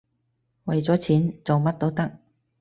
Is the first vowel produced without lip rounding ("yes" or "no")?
yes